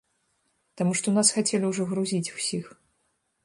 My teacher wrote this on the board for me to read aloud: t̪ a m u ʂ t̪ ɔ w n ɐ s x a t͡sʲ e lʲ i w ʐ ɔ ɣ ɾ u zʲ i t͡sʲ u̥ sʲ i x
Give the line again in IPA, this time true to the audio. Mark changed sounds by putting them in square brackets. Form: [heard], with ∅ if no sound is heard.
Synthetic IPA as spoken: t̪ a m u ʂ t̪ ɔ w n [a] s x a t͡sʲ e lʲ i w ʐ ɔ ɣ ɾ u zʲ i t͡sʲ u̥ sʲ i x